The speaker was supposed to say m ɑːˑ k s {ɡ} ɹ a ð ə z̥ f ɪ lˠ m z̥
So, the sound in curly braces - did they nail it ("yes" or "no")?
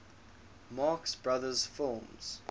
no